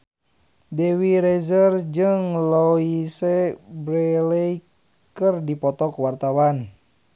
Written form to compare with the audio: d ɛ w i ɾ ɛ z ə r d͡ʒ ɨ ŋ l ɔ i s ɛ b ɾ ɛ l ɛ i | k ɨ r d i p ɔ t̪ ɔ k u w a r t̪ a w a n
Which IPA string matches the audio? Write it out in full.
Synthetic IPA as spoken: d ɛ w i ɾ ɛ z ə r d͡ʒ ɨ ŋ l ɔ i s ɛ b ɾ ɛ l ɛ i | k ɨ r d i p ɔ t̪ ɔ k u w a r t̪ a w a n

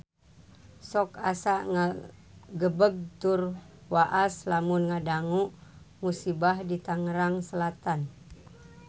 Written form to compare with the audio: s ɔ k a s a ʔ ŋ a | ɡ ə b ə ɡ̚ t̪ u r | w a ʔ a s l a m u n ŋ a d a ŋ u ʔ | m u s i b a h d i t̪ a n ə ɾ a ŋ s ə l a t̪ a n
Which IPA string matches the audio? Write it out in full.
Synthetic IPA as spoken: s ɔ k a s a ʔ ŋ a | ɡ ə b ə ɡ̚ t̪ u r | w a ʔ a s l a m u n ŋ a d a ŋ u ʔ | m u s i b a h d i t̪ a ŋ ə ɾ a ŋ s ə l a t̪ a n

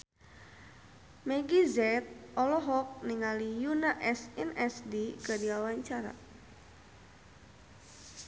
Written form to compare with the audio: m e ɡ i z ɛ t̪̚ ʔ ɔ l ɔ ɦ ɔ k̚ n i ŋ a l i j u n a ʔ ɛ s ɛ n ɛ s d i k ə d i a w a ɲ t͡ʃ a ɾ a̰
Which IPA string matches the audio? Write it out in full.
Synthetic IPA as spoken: m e ɡ i z ɛ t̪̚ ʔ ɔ l ɔ ɦ ɔ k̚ n i ŋ a l i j u n a ʔ ɛ s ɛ n ɛ s d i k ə d i a w a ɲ t͡ʃ a ɾ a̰

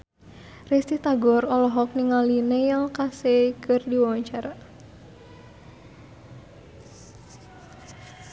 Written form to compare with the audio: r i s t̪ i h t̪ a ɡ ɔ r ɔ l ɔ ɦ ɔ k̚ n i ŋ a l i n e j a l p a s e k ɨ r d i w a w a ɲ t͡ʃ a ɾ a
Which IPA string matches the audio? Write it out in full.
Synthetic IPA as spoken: r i s t̪ i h t̪ a ɡ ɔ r ɔ l ɔ ɦ ɔ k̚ n i ŋ a l i n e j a l k a s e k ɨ r d i w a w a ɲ t͡ʃ a ɾ a

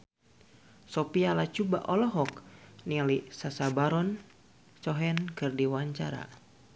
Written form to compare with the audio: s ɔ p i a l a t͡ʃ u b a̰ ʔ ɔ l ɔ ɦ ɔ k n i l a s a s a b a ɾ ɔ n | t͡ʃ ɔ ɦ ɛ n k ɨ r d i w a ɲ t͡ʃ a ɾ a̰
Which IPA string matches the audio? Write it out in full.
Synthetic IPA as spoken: s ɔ p i a l a t͡ʃ u b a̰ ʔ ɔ l ɔ ɦ ɔ k n i l i s a s a b a ɾ ɔ n | t͡ʃ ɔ ɦ ɛ n k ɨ r d i w a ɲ t͡ʃ a ɾ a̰

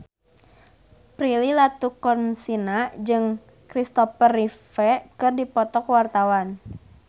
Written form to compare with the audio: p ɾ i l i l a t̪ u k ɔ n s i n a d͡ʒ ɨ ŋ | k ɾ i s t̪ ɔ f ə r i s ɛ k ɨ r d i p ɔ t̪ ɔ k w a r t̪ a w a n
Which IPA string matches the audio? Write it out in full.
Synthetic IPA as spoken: p ɾ i l i l a t̪ u k ɔ n s i n a d͡ʒ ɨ ŋ | k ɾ i s t̪ ɔ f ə r i f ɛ k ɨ r d i p ɔ t̪ ɔ k w a r t̪ a w a n

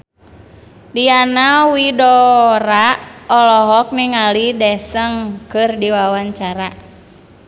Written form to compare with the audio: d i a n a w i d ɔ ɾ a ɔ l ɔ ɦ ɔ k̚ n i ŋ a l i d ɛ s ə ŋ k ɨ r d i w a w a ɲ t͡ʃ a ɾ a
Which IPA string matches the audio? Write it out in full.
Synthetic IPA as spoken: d i a n a w i d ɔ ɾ a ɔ l ɔ ɦ ɔ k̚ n i ŋ a l i d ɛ s ə ŋ k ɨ r d i w a w a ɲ t͡ʃ a ɾ a

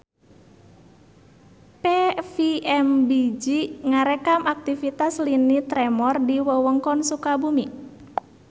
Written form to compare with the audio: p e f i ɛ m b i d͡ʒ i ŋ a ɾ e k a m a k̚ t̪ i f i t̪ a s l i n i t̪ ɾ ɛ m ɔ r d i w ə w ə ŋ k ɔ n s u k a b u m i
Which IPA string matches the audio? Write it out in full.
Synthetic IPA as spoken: p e f i ɛ m b i d͡ʒ i ŋ a ɾ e k a m a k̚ t̪ i f i t̪ a s l i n i t̪ ɾ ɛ m ɔ r d i w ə w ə ŋ k ɔ n s u k a b u m i

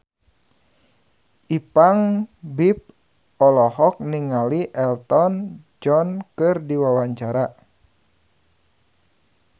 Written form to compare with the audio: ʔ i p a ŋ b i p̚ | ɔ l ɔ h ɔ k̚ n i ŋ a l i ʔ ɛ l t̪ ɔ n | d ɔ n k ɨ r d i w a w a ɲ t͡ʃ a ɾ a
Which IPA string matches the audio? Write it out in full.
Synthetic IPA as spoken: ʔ i p a ŋ b i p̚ | ɔ l ɔ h ɔ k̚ n i ŋ a l i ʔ ɛ l t̪ ɔ n | d͡ʒ ɔ n k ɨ r d i w a w a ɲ t͡ʃ a ɾ a

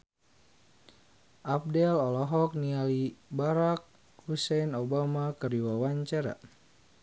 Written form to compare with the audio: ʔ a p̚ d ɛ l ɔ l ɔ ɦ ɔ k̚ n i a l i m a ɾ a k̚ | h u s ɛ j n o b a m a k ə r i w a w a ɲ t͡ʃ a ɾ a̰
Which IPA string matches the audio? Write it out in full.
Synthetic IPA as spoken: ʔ a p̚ d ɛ l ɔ l ɔ ɦ ɔ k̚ n i a l i b a ɾ a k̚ | h u s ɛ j n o b a m a k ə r i w a w a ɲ t͡ʃ a ɾ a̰

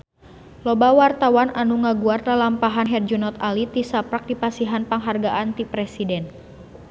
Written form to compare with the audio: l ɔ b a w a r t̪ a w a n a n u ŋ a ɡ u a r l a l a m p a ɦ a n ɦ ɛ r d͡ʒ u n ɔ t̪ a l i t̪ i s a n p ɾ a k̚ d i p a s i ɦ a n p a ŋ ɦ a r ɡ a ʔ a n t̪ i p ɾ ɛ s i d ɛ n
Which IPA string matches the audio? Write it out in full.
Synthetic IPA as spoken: l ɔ b a w a r t̪ a w a n a n u ŋ a ɡ u a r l a l a m p a ɦ a n ɦ ɛ r d͡ʒ u n ɔ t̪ a l i t̪ i s a p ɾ a k̚ d i p a s i ɦ a n p a ŋ ɦ a r ɡ a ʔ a n t̪ i p ɾ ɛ s i d ɛ n

